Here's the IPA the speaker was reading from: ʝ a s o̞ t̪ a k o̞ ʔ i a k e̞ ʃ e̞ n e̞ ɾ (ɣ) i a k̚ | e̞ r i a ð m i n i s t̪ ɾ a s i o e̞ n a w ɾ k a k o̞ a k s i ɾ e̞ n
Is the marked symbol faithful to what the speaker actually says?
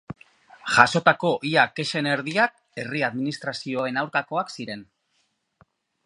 no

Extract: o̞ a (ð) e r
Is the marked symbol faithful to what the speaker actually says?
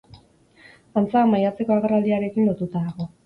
no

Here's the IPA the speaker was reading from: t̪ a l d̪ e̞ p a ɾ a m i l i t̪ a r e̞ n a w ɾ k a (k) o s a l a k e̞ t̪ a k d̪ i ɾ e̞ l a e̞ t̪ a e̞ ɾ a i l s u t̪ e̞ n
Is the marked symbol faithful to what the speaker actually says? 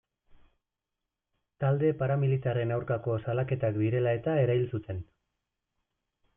yes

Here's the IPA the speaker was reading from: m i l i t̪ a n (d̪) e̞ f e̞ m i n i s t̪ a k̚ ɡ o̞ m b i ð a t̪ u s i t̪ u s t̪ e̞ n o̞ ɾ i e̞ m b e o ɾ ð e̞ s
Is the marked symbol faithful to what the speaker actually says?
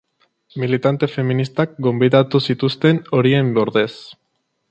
no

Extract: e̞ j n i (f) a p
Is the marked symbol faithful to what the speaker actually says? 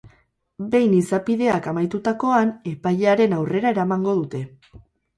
no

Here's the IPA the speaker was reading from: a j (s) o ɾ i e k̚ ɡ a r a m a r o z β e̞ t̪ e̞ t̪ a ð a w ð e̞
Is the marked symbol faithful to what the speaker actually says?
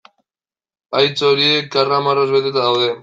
no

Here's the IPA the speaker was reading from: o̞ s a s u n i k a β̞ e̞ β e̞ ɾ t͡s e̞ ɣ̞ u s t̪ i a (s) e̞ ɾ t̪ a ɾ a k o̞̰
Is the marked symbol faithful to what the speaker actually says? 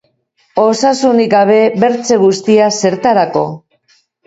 yes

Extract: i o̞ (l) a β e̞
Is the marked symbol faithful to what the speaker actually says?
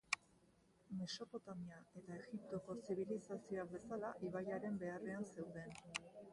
no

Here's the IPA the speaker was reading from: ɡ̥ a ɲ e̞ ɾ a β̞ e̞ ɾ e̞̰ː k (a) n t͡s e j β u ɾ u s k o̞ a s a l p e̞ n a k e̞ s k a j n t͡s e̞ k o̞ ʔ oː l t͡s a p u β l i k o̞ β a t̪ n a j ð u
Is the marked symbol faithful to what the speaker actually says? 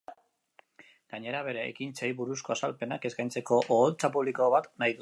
no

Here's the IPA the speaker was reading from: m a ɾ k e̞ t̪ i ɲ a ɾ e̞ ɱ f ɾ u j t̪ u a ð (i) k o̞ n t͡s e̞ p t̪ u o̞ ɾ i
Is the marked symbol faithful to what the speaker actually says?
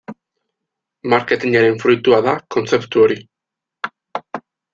no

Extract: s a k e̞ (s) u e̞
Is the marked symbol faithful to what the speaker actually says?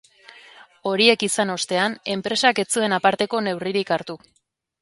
no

